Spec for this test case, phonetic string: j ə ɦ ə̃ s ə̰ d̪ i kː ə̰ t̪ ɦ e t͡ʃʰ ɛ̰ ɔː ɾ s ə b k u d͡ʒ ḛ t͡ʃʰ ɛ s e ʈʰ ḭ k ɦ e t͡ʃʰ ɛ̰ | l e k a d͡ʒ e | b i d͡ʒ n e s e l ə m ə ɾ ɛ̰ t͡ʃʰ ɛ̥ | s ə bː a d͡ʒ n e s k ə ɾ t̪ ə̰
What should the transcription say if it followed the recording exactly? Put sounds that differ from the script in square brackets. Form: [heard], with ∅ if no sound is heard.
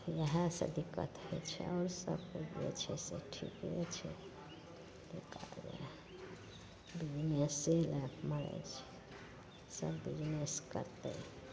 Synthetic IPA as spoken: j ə ɦ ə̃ s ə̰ d̪ i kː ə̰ t̪ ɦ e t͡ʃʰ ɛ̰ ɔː ɾ s ə b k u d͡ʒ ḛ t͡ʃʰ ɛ s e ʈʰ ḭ k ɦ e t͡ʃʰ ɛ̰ | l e k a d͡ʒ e | b i d͡ʒ n e s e l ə m ə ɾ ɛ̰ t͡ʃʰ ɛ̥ | s ə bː [i] d͡ʒ n e s k ə ɾ t̪ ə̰